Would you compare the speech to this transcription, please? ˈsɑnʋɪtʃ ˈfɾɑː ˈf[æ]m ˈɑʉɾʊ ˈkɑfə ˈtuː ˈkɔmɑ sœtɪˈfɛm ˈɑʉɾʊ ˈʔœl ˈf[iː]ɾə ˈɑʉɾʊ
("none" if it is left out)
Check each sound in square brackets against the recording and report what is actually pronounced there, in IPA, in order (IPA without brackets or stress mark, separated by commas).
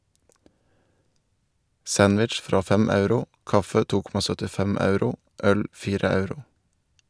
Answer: ɛ, iː